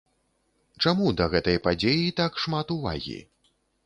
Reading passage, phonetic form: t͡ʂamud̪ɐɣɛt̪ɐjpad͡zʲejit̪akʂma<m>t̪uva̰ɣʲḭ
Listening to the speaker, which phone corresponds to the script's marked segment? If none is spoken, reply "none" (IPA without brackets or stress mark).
none